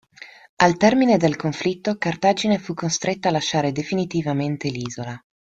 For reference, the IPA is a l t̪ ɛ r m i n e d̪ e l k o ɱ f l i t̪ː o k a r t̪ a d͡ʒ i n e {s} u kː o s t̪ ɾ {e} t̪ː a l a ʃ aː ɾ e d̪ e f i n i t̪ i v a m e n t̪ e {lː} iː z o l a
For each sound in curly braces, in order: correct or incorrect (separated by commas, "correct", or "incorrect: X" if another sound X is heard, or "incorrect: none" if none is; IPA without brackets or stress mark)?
incorrect: f, correct, incorrect: l